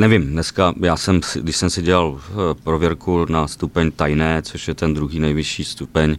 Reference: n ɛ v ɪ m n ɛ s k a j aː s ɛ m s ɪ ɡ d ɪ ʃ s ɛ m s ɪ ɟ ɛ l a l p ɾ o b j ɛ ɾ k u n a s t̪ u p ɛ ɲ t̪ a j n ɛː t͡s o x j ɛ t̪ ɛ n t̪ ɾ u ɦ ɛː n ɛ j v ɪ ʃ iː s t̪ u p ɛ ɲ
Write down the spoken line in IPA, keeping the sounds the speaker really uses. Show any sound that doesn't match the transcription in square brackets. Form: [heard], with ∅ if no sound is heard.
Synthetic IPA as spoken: n ɛ v ɪ m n ɛ s k a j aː s ɛ m s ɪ ɡ d ɪ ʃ s ɛ m s ɪ ɟ ɛ l a l p ɾ o [v] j ɛ ɾ k u n a s t̪ u p ɛ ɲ t̪ a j n ɛː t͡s o [ʃ] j ɛ t̪ ɛ n [d̪] ɾ u ɦ [iː] n ɛ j v ɪ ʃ iː s t̪ u p ɛ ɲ